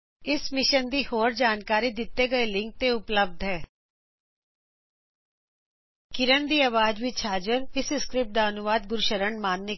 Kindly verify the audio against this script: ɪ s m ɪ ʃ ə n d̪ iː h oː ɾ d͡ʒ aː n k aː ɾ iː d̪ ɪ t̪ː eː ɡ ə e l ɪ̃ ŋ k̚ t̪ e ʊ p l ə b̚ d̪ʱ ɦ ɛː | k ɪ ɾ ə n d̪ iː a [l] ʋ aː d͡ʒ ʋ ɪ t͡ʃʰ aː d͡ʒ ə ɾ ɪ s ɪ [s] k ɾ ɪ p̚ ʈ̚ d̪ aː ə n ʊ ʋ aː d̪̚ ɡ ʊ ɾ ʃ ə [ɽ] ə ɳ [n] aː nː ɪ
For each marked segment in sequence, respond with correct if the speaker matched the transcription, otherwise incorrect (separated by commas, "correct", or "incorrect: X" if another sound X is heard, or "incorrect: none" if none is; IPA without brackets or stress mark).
incorrect: none, correct, incorrect: ɾ, incorrect: m